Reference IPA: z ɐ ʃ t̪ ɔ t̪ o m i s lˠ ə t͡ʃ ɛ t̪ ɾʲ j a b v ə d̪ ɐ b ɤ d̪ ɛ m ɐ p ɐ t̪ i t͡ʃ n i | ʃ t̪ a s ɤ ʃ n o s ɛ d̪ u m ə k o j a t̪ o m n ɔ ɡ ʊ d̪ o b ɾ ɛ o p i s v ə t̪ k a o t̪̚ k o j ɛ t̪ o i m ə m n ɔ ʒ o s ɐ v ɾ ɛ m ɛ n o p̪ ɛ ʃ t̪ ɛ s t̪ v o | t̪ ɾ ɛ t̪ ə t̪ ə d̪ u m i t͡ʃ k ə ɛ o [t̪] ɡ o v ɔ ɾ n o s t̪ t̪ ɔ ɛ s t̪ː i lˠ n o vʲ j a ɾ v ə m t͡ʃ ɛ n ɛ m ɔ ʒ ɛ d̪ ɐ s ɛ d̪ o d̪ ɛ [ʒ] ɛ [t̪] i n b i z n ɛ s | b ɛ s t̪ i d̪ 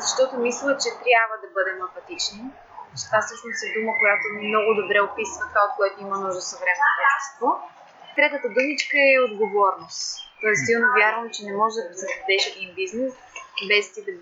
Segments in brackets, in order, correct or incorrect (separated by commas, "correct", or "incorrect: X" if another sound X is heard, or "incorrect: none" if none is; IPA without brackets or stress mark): incorrect: d̪, incorrect: ʃ, incorrect: d̪